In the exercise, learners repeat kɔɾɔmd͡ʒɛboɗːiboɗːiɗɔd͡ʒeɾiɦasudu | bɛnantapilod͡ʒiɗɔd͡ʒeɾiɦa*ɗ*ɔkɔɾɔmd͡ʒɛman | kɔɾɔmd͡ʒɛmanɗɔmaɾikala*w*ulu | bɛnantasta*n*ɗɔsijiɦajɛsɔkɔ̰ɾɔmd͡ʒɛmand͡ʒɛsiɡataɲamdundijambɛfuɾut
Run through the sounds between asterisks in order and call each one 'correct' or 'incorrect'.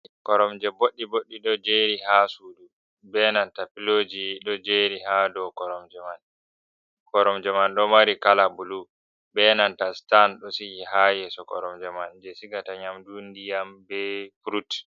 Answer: incorrect: d, incorrect: b, correct

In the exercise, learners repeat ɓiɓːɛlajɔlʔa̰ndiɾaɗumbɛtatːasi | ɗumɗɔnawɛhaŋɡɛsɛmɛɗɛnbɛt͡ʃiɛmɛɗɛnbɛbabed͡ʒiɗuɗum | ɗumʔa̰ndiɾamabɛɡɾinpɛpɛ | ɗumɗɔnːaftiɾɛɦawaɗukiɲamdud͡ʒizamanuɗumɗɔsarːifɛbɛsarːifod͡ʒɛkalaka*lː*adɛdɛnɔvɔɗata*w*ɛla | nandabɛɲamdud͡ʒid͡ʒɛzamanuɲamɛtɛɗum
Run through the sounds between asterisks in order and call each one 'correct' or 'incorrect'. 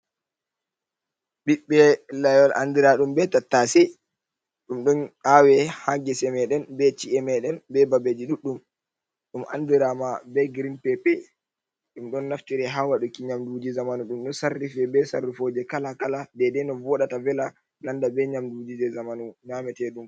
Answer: incorrect: l, incorrect: v

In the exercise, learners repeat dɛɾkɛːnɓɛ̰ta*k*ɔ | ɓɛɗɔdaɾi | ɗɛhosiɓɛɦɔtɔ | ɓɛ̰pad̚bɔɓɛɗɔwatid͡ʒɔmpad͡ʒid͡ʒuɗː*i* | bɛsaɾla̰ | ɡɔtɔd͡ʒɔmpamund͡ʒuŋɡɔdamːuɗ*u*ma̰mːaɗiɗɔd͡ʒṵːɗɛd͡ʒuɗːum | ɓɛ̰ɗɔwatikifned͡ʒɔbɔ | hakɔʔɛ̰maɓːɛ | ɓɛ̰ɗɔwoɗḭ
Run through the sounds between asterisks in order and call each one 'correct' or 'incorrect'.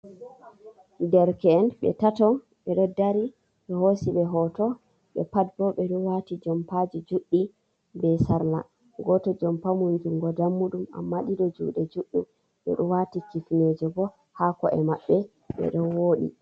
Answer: incorrect: t, correct, correct

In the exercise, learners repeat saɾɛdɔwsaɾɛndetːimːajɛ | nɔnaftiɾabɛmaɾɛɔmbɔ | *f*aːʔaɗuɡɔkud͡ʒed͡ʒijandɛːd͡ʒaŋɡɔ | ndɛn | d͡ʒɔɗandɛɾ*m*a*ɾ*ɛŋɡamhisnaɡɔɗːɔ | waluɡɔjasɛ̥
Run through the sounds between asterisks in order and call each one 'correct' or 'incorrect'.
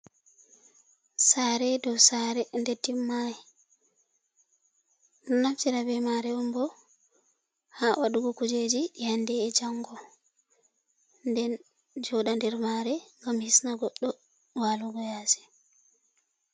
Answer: incorrect: h, correct, correct

